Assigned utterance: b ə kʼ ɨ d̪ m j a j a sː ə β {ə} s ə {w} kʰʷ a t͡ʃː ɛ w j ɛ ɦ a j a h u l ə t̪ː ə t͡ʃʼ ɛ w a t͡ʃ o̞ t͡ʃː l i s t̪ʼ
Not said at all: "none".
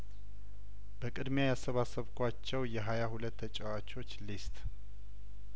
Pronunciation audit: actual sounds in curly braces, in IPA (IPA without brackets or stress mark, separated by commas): a, β